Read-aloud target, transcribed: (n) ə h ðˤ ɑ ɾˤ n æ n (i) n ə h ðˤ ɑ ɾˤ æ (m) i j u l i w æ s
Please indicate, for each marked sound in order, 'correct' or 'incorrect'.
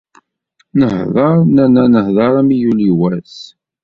correct, incorrect: æ, correct

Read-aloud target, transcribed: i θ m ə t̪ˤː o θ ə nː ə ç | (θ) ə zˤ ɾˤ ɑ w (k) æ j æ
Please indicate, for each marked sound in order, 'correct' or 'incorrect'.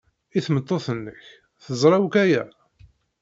correct, correct

